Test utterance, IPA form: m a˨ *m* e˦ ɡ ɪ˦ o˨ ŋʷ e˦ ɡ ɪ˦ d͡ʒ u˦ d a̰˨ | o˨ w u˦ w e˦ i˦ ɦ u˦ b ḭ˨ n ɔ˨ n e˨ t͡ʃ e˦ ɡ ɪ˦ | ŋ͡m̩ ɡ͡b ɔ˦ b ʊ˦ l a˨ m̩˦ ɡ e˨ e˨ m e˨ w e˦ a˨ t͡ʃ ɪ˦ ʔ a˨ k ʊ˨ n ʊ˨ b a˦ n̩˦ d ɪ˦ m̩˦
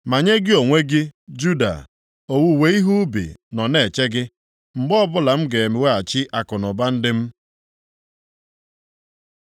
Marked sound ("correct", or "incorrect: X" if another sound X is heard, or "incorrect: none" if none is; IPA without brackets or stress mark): incorrect: ɲ